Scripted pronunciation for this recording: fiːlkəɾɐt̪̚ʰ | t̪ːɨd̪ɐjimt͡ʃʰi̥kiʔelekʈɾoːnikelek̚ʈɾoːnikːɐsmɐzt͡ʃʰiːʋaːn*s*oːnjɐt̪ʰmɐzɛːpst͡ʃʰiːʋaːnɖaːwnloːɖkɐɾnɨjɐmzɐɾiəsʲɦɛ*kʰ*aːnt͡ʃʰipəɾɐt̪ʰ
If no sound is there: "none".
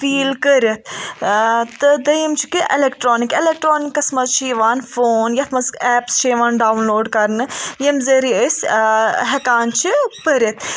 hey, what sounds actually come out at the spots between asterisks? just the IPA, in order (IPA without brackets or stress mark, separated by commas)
f, k